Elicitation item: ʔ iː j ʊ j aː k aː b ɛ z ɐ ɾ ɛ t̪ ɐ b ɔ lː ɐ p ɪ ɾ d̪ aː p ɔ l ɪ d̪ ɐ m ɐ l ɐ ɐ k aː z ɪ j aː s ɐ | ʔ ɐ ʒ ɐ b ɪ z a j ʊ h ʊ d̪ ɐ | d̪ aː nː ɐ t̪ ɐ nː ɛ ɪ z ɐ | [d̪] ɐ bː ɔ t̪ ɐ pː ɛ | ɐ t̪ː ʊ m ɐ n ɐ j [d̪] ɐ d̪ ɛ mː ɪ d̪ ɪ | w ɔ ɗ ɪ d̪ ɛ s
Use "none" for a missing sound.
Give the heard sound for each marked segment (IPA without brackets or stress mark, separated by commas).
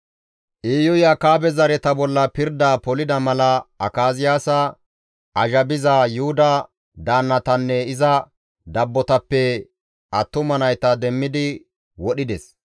d̪, t̪